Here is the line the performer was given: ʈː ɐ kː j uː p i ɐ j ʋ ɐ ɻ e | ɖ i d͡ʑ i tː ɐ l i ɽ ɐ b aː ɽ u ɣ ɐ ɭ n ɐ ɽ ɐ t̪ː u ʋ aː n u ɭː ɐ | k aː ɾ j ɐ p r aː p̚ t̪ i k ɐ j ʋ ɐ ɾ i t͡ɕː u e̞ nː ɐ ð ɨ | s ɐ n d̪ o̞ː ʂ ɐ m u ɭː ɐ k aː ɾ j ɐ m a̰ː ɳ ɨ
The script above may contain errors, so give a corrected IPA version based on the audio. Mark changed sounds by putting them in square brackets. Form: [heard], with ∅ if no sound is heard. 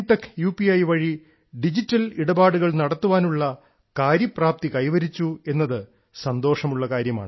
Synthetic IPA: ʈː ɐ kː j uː p i ɐ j ʋ ɐ ɻ [i] | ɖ i d͡ʑ i tː ɐ l i ɽ ɐ b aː ɽ u ɣ ɐ ɭ n ɐ ɽ ɐ t̪ː u ʋ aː n u ɭː ɐ | k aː ɾ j ɐ p r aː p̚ t̪ i k ɐ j ʋ ɐ ɾ i t͡ɕː u e̞ nː ɐ ð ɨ | s ɐ n d̪ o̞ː ʂ ɐ m u ɭː ɐ k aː ɾ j ɐ m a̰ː ɳ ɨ